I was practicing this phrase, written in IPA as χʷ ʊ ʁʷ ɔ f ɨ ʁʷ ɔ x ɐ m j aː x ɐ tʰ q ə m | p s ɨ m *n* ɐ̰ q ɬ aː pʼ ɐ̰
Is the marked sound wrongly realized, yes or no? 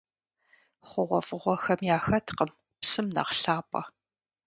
no